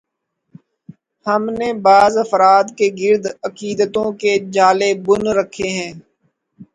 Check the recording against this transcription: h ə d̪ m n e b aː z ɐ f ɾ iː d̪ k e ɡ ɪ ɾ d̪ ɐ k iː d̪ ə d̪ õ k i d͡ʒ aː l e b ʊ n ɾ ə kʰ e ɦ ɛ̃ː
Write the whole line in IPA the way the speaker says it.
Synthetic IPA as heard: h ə m n e b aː z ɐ f ɾ aː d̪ k e ɡ ɪ ɾ d̪ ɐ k iː d̪ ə t̪ õ k e d͡ʒ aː l e b ʊ n ɾ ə kʰ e ɦ ɛ̃ː